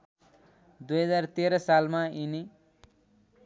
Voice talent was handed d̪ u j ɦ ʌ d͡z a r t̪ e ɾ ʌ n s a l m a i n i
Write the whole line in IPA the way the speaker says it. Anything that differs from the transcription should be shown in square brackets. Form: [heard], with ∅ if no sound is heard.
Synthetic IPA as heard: d̪ u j ɦ ʌ d͡z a r t̪ e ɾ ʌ [∅] s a l m a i n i